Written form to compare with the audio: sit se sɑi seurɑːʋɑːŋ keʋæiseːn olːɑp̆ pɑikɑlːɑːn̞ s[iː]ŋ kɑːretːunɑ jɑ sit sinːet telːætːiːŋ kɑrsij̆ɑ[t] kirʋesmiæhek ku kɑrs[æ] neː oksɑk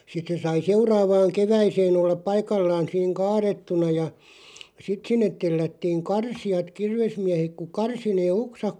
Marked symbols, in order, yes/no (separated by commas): yes, yes, no